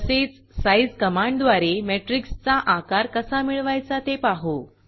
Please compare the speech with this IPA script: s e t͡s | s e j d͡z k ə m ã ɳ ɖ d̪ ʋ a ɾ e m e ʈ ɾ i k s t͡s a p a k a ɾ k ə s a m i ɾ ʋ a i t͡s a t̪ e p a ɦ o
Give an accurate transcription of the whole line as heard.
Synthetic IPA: s e t͡s | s a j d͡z k ə m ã ɳ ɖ d̪ ʋ a ɾ e m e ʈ ɾ i k s t͡s a ʔ a k a ɾ k ə s a m i ɭ ʋ a j t͡s a t̪ e p a ɦ o